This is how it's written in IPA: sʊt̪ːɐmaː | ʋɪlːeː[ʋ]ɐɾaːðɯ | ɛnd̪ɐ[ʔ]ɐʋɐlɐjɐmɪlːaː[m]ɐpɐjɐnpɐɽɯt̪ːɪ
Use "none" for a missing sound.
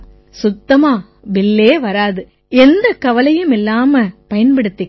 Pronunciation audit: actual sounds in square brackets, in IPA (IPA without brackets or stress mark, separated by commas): ʋ, k, m